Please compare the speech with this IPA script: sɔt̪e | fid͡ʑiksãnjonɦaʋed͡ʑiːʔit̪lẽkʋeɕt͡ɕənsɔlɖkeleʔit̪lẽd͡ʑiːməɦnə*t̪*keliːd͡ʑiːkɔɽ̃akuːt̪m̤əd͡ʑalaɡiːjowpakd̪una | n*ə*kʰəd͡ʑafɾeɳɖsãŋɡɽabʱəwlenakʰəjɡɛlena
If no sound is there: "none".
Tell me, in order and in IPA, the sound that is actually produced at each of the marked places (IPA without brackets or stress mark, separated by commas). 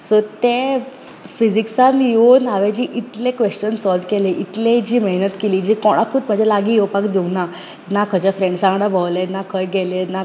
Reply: t̪, a